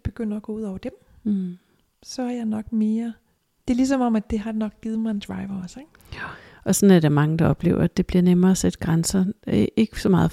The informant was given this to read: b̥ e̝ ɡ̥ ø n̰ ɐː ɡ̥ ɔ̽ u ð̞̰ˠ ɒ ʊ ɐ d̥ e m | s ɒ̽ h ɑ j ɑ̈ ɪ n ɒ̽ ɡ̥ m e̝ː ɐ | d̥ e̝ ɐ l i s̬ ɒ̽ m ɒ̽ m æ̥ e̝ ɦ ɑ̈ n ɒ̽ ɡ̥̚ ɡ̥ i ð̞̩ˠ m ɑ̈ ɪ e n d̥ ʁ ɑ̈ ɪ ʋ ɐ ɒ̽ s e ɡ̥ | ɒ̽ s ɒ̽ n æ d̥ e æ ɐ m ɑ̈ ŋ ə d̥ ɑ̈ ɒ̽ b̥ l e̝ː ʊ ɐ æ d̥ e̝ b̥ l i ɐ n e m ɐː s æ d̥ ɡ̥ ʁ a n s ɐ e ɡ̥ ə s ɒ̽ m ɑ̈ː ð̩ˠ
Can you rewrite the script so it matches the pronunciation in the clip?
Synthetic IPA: b̥ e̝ ɡ̥ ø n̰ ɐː ɡ̥ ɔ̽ u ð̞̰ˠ ɒ ʊ ɐ d̥ e m | s ɒ̽ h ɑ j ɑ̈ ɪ n ɒ̽ ɡ̥ m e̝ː ɐ | d̥ e̝ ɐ l i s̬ ɒ̽ m ɒ̽ m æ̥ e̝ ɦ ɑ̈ n ɒ̽ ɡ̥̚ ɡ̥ i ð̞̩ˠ m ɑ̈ ɪ e n d̥ ʁ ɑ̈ ɪ ʋ ɐ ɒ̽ s e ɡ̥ | ɒ̽ s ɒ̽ n æ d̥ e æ ɐ m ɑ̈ ŋ ə d̥ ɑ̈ ɒ̽ b̥ l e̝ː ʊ ɐ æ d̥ e̝ b̥ l i ɐ n e m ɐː s e d̥ ɡ̥ ʁ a n s ɐ e ɡ̥ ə s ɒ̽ m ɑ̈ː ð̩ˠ